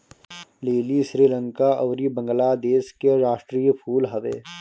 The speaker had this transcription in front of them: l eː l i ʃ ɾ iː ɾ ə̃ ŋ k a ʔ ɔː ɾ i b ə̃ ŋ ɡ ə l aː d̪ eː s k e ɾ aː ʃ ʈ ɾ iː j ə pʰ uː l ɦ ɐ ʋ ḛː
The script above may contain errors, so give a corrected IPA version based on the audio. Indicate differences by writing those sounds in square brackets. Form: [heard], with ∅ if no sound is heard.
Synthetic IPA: l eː l i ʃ ɾ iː [l] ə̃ ŋ k a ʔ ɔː ɾ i b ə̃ ŋ ɡ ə l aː d̪ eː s k e ɾ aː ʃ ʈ ɾ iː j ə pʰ uː l ɦ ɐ ʋ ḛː